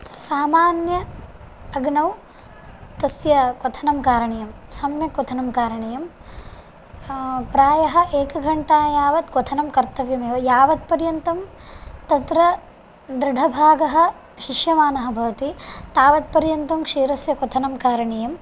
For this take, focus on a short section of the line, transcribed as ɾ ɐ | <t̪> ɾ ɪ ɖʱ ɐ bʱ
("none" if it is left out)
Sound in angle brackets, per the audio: d̪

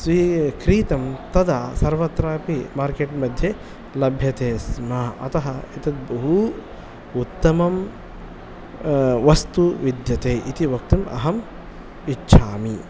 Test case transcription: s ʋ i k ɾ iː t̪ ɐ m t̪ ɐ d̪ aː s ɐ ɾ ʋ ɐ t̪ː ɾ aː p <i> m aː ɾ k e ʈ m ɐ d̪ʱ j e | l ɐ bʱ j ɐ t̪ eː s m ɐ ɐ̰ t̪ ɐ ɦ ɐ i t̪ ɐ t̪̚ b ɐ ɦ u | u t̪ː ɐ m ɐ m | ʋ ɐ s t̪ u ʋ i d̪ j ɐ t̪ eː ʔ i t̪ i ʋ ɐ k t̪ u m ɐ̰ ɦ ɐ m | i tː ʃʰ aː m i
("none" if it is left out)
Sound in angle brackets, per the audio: i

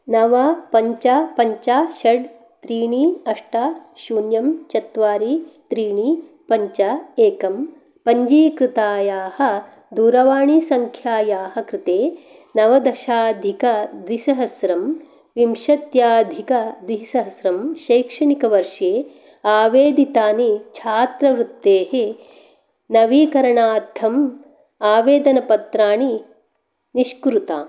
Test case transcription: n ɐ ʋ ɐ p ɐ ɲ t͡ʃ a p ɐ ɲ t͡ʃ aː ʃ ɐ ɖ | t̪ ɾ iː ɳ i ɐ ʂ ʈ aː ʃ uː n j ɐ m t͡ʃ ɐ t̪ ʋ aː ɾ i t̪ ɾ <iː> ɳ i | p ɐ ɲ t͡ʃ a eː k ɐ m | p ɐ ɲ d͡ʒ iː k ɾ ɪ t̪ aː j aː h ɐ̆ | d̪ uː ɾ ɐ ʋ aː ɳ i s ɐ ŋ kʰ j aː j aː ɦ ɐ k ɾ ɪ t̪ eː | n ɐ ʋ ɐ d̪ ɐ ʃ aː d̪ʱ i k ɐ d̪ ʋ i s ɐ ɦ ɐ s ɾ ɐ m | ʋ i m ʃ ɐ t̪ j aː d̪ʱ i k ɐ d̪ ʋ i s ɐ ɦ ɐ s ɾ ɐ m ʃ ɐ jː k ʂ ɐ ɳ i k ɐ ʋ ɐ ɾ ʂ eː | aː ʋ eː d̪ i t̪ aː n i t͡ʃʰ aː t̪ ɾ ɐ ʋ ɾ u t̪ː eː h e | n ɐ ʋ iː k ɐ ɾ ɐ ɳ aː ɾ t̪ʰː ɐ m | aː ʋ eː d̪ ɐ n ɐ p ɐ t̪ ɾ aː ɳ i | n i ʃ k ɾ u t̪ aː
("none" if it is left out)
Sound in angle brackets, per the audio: iː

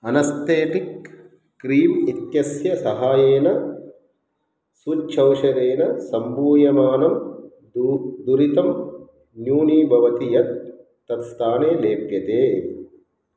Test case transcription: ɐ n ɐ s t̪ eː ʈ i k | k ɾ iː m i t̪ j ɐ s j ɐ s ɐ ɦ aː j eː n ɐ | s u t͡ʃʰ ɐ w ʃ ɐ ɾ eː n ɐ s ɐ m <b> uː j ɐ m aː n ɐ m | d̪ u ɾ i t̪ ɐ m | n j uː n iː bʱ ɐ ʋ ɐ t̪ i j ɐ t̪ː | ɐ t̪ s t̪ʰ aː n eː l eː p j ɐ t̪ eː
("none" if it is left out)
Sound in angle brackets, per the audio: b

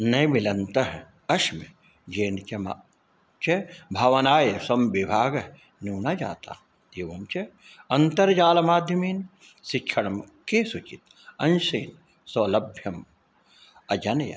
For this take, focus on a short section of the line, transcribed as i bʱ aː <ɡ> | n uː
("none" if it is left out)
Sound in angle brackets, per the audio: ɡ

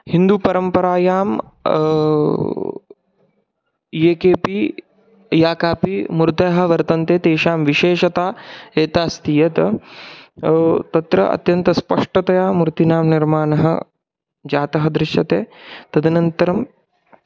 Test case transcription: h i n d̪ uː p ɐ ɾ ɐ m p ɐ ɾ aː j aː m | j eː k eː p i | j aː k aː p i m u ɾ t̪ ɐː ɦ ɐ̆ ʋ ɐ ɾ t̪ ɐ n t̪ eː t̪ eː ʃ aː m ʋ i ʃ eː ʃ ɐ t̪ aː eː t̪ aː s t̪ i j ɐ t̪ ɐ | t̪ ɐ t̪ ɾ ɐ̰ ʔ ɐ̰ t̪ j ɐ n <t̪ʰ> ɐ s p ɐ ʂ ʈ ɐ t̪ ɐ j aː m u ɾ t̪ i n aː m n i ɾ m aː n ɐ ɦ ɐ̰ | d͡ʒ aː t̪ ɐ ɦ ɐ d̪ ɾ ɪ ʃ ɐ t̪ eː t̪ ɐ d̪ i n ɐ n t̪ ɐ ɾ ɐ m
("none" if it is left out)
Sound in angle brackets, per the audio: t̪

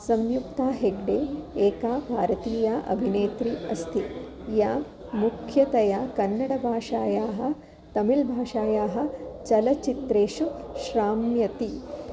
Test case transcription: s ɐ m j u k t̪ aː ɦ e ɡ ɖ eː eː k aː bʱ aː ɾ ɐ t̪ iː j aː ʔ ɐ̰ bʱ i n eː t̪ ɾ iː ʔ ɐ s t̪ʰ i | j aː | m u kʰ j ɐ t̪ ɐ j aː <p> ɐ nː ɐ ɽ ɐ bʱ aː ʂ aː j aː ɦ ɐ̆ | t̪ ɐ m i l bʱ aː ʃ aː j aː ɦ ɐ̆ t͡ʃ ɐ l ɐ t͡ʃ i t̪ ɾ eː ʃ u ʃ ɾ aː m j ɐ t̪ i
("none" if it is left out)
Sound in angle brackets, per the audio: k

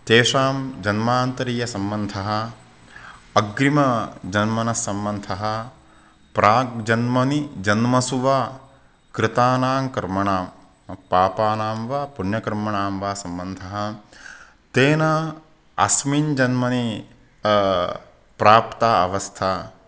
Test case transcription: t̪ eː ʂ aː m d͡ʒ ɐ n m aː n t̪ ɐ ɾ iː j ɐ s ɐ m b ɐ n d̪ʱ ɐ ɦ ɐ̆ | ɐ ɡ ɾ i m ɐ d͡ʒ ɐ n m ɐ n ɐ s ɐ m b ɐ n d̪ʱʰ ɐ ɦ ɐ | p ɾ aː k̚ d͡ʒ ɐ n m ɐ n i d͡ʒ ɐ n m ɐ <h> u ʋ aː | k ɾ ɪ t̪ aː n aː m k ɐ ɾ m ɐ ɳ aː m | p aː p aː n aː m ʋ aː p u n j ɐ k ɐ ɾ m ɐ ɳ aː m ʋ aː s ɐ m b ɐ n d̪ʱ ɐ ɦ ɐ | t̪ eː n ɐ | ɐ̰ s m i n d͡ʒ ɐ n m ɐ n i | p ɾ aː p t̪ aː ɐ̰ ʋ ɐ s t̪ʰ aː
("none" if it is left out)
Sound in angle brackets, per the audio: s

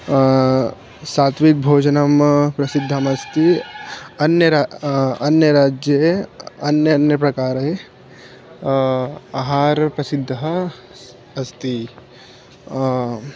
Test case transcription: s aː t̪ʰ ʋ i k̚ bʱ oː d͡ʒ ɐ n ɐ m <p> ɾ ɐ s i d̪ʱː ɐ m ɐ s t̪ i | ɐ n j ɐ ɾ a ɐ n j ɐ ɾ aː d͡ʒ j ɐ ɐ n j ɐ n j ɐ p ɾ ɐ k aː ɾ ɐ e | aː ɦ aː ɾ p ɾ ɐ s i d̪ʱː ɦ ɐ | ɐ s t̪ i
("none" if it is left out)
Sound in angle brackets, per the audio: p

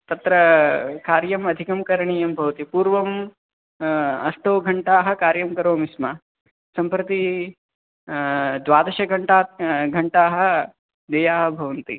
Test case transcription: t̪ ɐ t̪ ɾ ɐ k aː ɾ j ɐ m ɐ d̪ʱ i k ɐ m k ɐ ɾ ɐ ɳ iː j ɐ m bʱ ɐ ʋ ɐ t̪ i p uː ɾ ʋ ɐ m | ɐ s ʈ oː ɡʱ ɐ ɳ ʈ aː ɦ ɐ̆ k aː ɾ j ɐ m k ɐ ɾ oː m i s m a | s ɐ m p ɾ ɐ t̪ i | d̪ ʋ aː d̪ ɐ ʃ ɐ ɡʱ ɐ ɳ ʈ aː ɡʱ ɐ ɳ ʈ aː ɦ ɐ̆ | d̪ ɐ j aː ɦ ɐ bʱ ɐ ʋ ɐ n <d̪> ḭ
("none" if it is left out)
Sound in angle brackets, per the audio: t̪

